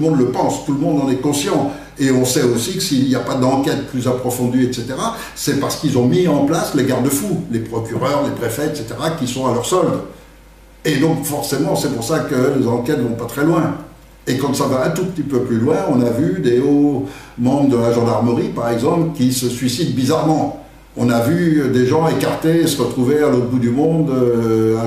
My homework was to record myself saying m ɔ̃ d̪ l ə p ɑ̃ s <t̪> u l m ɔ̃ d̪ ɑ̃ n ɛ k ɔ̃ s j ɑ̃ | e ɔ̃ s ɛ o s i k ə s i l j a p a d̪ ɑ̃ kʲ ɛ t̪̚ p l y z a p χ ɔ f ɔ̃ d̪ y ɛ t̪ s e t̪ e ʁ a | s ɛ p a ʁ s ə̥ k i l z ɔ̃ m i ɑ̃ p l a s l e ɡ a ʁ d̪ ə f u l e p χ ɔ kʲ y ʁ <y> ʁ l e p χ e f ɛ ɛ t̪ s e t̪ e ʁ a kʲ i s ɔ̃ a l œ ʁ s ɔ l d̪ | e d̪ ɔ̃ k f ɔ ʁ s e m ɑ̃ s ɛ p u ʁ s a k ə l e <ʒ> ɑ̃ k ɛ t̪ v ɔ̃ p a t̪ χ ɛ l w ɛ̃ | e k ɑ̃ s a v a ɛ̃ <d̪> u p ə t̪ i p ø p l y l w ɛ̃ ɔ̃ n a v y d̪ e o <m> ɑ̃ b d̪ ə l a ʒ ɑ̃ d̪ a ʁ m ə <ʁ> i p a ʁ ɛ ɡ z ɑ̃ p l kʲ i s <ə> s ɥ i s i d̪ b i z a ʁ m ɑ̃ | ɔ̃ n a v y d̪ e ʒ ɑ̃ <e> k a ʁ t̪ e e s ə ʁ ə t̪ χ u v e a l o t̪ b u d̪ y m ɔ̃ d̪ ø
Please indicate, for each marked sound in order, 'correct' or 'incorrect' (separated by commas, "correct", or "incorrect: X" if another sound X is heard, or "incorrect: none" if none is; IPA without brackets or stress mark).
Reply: correct, incorrect: œ, incorrect: z, incorrect: t̪, correct, correct, correct, correct